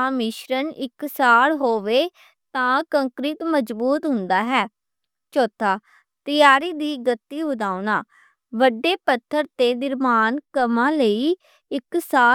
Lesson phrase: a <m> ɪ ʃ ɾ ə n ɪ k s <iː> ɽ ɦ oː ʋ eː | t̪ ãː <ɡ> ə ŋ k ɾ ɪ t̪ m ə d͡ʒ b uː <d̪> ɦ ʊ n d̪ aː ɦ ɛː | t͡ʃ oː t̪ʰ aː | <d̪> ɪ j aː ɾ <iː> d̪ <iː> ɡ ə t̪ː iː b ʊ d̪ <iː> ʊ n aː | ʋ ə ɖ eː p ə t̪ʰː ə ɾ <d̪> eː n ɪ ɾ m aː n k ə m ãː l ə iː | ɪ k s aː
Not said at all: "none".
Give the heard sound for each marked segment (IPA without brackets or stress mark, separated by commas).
m, aː, k, t̪, t̪, iː, iː, aː, t̪